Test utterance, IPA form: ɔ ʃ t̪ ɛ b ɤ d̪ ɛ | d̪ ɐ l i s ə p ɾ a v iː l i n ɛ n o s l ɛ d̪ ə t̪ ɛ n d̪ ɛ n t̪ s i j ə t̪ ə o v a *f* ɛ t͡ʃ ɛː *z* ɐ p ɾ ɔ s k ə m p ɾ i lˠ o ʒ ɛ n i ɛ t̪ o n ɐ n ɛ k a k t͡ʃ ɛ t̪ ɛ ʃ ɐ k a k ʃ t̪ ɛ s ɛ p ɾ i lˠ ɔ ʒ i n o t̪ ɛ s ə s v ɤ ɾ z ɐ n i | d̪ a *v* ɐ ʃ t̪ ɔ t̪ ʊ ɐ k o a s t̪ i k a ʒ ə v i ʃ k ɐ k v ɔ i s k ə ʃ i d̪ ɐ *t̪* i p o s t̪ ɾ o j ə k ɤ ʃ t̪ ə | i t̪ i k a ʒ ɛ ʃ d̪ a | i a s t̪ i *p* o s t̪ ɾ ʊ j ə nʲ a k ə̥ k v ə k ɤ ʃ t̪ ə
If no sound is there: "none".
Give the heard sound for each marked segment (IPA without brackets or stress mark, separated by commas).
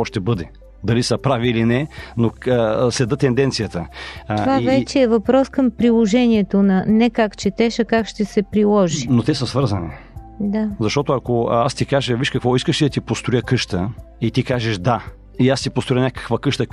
v, v, z, t̪, p